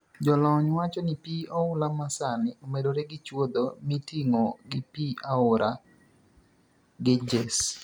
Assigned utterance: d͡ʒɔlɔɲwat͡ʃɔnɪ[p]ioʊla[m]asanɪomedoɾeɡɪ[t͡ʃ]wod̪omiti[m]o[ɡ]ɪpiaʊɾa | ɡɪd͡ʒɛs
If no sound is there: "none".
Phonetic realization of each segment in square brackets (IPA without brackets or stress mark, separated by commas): p, m, t͡ʃ, ŋ, ɡ